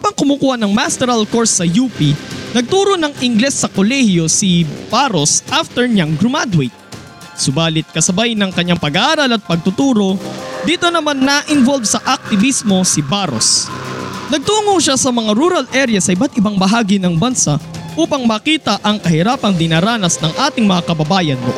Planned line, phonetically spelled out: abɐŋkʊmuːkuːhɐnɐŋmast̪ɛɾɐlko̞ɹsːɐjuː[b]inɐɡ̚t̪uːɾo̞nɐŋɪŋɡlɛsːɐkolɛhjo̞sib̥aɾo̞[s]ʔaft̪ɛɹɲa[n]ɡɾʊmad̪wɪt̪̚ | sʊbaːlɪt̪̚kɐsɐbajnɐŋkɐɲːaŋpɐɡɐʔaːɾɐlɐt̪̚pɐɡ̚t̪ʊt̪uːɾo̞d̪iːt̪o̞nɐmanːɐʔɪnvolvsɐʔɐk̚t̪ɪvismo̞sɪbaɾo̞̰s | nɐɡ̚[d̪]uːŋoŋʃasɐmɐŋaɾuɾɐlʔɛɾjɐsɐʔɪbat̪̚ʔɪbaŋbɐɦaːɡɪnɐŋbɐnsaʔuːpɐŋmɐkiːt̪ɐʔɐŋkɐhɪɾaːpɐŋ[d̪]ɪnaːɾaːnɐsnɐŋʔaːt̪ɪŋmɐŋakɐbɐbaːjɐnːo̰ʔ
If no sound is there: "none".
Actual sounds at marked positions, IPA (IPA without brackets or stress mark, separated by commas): p, s, ŋ, t̪, d̪